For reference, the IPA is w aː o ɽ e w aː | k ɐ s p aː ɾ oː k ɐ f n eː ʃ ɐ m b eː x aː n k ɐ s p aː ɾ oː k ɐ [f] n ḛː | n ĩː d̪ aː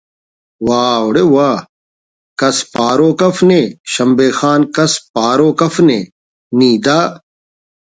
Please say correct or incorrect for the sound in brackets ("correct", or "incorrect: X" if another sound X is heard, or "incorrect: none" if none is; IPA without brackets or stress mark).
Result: correct